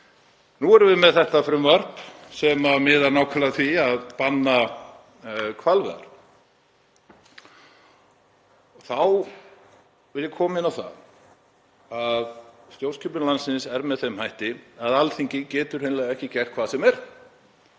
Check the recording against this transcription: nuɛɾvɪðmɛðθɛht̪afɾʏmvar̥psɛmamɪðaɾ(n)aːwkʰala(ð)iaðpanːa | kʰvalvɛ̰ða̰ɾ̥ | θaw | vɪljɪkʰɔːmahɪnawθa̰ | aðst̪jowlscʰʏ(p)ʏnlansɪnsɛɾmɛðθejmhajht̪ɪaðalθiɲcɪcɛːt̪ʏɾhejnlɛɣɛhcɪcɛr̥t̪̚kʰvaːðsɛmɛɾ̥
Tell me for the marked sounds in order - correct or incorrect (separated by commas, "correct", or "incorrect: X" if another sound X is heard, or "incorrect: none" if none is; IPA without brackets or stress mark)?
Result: correct, incorrect: θ, correct